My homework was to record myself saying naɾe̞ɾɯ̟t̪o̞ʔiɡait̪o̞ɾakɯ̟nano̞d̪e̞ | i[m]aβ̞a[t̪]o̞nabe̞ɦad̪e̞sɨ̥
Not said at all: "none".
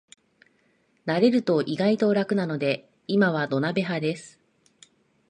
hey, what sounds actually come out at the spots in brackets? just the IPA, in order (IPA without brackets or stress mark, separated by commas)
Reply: m, d̪